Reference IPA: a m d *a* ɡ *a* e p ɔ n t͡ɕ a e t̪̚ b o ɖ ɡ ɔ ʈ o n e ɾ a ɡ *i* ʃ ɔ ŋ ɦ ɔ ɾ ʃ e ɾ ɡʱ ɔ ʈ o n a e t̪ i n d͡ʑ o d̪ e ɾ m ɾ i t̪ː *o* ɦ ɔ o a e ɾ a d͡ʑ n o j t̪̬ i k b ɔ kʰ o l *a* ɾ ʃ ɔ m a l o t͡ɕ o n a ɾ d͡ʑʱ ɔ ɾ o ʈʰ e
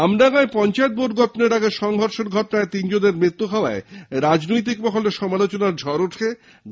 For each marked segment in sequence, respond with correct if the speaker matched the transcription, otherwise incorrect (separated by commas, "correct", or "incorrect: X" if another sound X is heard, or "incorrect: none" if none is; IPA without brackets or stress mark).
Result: correct, correct, incorrect: e, incorrect: u, incorrect: e